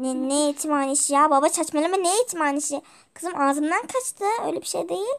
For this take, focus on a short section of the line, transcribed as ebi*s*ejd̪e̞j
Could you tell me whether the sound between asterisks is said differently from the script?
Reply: yes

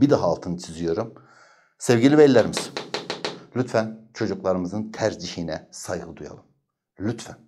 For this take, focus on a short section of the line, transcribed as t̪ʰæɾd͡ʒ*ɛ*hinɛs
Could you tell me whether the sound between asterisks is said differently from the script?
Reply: yes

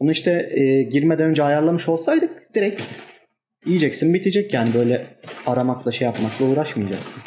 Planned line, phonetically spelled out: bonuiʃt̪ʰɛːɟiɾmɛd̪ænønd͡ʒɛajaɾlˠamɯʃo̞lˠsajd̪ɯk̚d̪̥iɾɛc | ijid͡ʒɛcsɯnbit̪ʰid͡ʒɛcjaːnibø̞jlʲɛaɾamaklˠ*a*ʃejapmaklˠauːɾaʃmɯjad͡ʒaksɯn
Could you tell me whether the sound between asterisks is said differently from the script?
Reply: no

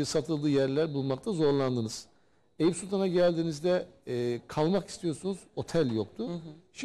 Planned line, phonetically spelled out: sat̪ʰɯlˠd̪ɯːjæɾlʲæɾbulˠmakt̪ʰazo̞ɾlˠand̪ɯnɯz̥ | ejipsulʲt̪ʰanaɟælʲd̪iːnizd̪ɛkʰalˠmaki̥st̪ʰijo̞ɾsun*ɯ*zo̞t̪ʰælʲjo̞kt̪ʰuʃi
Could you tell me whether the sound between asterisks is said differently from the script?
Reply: yes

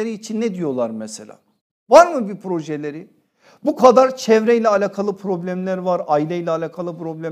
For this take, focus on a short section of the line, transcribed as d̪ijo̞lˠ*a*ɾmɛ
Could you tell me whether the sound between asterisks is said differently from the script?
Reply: no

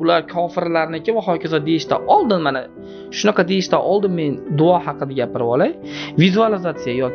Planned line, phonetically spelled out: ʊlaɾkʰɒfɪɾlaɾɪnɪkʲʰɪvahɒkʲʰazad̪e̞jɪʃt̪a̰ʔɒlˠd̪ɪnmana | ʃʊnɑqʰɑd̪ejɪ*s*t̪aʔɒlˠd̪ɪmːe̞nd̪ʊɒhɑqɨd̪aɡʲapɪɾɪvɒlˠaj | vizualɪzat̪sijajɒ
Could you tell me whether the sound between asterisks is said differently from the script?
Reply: yes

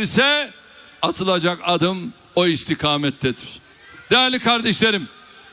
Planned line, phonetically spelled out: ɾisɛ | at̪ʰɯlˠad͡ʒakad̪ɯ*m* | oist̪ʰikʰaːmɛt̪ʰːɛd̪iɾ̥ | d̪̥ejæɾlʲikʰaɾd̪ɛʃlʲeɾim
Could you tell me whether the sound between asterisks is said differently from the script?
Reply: no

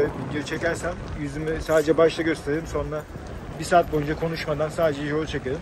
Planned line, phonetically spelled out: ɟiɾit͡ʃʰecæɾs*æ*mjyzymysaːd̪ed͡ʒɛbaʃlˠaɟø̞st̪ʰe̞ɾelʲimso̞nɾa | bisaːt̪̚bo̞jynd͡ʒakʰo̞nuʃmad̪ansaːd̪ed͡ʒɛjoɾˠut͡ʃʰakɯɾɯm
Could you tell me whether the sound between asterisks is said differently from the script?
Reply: no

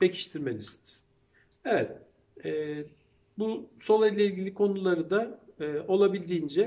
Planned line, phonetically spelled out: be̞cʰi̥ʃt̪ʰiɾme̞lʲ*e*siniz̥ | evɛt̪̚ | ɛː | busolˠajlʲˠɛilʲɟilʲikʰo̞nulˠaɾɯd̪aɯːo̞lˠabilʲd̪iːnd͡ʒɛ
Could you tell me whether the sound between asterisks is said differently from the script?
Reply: yes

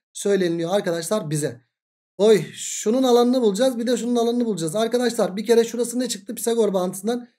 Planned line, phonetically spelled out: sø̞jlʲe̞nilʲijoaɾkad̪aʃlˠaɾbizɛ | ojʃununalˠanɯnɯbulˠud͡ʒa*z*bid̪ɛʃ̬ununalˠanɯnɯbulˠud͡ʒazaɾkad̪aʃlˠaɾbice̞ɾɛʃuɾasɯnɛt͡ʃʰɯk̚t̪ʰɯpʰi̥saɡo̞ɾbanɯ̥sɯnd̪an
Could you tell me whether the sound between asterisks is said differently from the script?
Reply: no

